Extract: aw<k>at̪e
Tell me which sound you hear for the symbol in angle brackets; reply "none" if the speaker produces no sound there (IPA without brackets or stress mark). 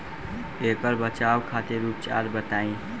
kʰ